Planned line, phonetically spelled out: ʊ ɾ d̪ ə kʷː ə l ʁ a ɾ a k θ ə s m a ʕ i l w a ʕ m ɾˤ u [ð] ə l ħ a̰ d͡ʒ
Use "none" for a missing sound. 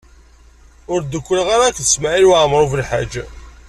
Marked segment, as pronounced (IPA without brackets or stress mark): v